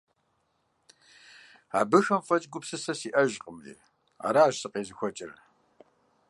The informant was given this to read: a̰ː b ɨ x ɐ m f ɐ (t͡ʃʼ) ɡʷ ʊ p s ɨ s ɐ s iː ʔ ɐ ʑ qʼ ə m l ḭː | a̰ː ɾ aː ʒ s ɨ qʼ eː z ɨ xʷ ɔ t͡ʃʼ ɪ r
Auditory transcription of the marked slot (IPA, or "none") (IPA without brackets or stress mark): t͡ʃʼ